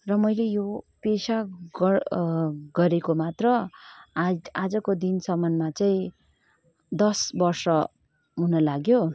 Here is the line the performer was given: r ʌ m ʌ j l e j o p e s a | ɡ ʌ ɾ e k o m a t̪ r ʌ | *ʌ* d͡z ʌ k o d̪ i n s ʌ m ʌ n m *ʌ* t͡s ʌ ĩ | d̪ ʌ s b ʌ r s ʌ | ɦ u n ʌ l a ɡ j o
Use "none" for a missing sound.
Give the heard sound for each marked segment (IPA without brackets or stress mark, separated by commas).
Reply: a, a